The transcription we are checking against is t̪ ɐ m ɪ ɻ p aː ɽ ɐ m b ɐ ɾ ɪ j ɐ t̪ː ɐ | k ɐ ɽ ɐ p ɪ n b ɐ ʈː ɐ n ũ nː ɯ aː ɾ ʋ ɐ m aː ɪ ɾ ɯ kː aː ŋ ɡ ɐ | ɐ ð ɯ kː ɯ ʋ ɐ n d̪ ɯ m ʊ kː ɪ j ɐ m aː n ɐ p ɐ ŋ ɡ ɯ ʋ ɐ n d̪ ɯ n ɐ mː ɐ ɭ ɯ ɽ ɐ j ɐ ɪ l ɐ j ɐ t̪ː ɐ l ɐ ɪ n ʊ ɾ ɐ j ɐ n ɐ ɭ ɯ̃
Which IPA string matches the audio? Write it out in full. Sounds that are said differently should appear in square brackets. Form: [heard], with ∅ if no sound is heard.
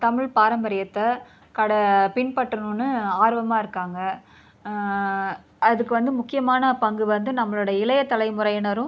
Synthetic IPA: t̪ ɐ m ɪ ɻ p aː [ɾ] ɐ m b ɐ ɾ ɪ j ɐ t̪ː ɐ | k ɐ ɽ ɐ p ɪ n [p] ɐ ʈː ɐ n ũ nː ɯ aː ɾ ʋ ɐ m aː ɪ ɾ ɯ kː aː ŋ ɡ ɐ | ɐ ð ɯ kː ɯ ʋ ɐ n d̪ ɯ m ʊ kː ɪ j ɐ m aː n ɐ p ɐ ŋ ɡ ɯ ʋ ɐ n d̪ ɯ n ɐ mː ɐ ɭ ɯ ɽ ɐ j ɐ ɪ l ɐ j ɐ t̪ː ɐ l ɐ ɪ [m] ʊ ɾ ɐ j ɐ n ɐ [ɾ] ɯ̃